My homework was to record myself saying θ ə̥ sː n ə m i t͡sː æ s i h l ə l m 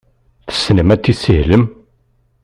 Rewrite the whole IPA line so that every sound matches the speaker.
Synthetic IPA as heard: θ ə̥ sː n ə m æ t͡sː i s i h l ə m